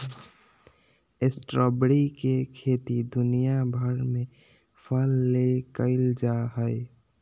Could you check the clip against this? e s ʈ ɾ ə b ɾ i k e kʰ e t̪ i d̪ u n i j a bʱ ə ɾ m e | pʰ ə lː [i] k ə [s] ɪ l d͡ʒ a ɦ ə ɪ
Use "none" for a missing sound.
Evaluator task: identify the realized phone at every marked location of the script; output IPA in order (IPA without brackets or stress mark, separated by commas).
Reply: e, none